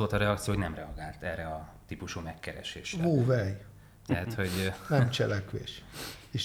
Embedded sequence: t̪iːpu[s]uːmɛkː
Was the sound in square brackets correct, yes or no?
no